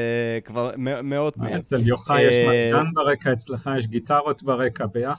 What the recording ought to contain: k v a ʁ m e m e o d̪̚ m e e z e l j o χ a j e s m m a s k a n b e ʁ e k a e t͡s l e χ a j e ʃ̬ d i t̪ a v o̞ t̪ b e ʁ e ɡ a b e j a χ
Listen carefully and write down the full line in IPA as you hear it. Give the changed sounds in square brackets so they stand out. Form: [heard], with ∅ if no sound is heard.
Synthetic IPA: k v a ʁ m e m e o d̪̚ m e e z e l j o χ a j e [ʃ] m m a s k a n b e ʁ e k a e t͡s l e χ a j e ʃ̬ [ɡ] i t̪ a [ʁ] o̞ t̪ b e ʁ e [k] a b e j a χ